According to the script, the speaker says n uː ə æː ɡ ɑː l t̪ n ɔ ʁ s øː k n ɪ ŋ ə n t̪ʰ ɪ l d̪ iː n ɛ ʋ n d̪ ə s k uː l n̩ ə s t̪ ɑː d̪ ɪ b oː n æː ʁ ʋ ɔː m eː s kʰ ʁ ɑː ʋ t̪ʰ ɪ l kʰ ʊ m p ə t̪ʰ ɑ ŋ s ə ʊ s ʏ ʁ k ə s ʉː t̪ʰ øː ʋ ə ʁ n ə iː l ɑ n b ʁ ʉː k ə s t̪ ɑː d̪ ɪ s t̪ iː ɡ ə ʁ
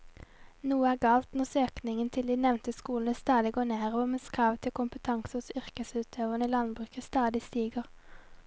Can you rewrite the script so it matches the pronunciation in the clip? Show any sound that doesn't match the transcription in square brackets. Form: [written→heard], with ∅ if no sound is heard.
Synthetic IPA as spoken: n uː ə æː ɡ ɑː l t̪ n ɔ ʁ s øː k n ɪ ŋ ə n t̪ʰ ɪ l d̪ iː n ɛ ʋ n [d̪→t̪] ə s k uː l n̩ ə s t̪ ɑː d̪ ɪ [b→ɡ] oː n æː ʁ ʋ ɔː m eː s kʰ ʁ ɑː ʋ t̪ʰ ɪ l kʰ ʊ m p ə t̪ʰ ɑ ŋ s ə ʊ s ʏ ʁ k ə s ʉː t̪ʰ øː ʋ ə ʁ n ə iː l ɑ n b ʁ ʉː k ə s t̪ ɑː d̪ ɪ s t̪ iː ɡ ə ʁ